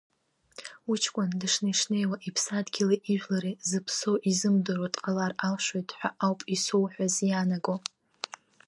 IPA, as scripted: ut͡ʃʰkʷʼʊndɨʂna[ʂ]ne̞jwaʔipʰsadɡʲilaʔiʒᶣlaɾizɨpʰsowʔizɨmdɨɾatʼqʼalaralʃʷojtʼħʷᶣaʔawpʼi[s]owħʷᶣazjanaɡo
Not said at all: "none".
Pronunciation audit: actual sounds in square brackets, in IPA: ʂ, s

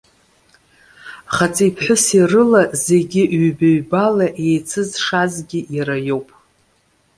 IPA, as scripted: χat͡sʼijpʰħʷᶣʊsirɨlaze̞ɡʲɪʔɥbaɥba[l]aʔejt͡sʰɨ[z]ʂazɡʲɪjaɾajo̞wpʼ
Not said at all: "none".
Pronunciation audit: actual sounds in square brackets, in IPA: l, z

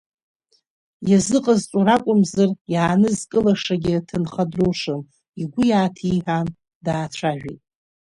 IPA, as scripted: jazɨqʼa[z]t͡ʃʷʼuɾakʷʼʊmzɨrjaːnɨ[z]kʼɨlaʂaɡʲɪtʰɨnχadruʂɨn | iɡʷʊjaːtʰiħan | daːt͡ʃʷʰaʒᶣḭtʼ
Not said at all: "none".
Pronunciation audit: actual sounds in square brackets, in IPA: z, z

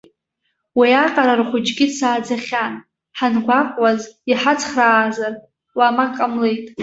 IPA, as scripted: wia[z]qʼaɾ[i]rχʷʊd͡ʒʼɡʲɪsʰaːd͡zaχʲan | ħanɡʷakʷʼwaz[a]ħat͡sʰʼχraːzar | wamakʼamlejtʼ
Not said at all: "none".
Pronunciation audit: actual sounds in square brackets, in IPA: none, a, i

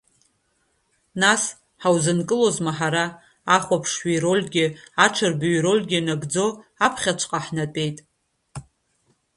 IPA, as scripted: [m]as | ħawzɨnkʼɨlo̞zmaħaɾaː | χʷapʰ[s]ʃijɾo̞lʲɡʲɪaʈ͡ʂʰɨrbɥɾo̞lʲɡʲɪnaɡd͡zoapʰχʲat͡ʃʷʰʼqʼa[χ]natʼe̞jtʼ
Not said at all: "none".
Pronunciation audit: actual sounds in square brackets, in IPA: n, ʂ, ħ

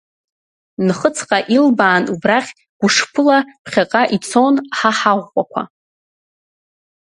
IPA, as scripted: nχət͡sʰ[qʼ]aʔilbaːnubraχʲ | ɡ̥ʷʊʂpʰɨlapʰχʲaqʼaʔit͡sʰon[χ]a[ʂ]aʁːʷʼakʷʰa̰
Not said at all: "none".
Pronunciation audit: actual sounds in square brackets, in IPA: qʼ, ħ, ħ

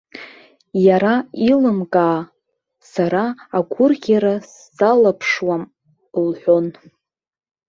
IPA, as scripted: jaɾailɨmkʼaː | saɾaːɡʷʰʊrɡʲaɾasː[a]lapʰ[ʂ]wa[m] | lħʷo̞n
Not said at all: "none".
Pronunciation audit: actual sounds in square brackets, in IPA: a, ʂ, m

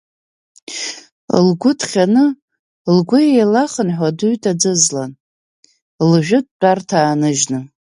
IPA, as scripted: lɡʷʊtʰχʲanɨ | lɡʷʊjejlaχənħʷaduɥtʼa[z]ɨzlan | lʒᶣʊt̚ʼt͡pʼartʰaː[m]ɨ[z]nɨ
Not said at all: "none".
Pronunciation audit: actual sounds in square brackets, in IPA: d͡z, n, ʒ

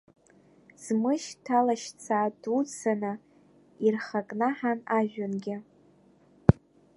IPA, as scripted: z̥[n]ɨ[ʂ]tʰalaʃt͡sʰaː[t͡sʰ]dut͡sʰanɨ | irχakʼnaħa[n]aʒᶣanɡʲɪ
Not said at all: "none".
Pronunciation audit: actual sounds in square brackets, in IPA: m, ʃ, none, n

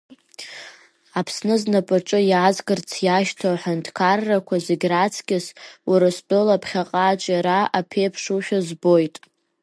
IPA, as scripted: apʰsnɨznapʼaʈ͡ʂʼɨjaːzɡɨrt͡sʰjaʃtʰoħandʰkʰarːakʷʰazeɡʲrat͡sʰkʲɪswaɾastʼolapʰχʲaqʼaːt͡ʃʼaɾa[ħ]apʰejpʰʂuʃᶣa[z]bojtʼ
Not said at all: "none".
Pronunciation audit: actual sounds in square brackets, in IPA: none, z

